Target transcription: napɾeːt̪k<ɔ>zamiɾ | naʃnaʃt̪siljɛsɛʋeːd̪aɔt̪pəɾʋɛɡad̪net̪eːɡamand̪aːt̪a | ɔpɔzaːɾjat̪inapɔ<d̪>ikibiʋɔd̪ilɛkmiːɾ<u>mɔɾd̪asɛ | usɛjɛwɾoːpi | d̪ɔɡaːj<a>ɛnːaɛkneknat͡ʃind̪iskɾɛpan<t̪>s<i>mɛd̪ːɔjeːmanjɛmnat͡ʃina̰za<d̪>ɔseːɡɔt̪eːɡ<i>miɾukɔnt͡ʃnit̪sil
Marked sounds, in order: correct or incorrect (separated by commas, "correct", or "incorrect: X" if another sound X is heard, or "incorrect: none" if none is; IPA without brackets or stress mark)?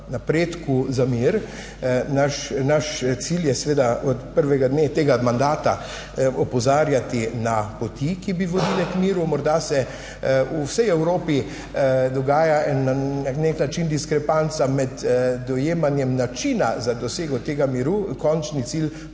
incorrect: u, incorrect: t̪, correct, correct, correct, incorrect: a, correct, incorrect: a